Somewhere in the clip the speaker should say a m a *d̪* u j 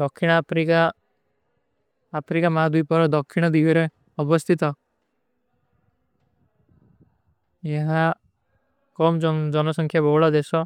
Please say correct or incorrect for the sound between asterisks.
correct